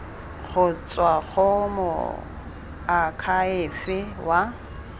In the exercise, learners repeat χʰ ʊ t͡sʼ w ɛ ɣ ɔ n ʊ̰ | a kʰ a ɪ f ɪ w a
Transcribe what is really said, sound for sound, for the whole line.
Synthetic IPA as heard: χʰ ʊ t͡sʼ w a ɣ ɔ m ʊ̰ | a kʰ a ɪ f ɪ w a